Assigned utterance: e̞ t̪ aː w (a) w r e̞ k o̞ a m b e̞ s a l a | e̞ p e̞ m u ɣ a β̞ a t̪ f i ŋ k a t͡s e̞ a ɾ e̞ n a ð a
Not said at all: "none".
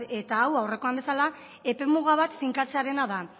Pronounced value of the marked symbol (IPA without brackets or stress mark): a